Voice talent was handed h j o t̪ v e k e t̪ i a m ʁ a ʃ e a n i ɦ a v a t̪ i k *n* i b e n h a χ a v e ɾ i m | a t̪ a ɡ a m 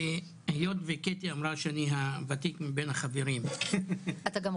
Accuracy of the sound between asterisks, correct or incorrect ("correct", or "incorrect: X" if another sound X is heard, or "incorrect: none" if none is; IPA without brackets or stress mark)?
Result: incorrect: m